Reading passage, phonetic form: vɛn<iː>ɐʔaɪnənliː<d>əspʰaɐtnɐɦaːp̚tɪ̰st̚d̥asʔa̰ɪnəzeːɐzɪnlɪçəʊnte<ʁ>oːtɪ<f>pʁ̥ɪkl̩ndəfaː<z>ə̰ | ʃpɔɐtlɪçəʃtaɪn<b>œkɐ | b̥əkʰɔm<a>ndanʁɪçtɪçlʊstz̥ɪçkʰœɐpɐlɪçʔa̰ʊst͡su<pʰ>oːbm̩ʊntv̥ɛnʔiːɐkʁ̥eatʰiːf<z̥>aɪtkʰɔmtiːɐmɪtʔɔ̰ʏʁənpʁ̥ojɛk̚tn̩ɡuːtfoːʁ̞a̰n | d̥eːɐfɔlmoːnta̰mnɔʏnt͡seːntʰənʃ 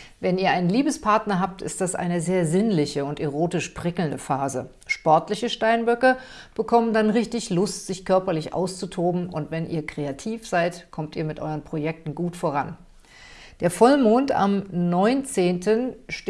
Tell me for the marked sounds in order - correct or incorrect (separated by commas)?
correct, incorrect, correct, incorrect, correct, correct, incorrect, incorrect, correct